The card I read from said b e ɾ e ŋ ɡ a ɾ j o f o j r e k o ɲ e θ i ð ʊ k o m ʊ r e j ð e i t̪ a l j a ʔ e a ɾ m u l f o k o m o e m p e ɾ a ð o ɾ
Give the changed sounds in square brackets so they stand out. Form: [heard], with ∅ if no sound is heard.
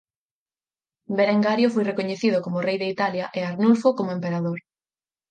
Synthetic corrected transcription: b e ɾ e ŋ ɡ a ɾ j o f o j r e k o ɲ e θ i ð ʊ k o m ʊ r e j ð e i t̪ a l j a ʔ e a ɾ [n] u l f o k o m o e m p e ɾ a ð o ɾ